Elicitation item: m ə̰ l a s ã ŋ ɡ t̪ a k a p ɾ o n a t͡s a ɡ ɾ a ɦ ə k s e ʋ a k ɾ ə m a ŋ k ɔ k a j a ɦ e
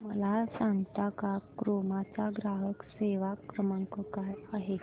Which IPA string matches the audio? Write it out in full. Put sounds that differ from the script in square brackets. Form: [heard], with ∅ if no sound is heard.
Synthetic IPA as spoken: m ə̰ l a s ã ŋ ɡ t̪ a k a [k] ɾ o [m] a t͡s a ɡ ɾ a ɦ ə k s e ʋ a k ɾ ə m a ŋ k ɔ k a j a ɦ e